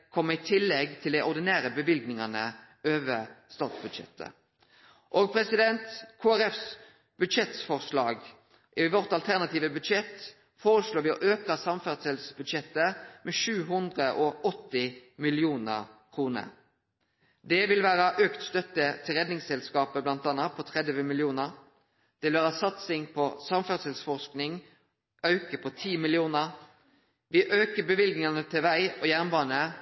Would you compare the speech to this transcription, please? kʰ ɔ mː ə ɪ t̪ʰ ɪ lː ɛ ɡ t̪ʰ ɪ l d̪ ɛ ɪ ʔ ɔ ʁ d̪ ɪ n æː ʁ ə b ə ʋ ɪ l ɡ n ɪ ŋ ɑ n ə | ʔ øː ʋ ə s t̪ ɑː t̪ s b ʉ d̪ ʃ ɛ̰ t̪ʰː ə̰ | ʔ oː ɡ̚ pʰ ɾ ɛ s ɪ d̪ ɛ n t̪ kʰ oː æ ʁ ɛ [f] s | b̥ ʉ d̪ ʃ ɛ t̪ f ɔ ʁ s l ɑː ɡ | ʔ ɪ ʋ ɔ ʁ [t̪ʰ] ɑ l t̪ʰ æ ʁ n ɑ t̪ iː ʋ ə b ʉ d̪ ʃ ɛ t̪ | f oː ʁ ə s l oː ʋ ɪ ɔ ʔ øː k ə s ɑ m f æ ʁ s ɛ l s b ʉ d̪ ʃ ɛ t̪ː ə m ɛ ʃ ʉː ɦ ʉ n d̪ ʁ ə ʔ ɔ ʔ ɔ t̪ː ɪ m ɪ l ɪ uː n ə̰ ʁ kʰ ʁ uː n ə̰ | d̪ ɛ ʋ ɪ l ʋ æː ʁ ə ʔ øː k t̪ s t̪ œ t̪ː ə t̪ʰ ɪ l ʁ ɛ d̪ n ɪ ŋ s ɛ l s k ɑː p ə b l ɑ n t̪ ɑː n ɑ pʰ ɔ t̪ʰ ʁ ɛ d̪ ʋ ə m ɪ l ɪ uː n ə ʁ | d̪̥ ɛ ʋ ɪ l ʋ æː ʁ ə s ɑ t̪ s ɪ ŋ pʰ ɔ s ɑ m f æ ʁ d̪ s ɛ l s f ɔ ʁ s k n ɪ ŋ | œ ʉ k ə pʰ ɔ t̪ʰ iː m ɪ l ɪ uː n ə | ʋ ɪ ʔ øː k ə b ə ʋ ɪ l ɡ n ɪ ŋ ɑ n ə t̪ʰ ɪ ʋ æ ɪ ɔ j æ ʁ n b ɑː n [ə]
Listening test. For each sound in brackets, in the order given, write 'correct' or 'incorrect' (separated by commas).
correct, incorrect, correct